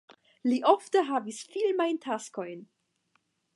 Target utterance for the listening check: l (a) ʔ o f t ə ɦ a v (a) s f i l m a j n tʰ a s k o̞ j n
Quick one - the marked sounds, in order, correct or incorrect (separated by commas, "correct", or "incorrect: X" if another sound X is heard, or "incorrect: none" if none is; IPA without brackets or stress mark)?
incorrect: i, incorrect: i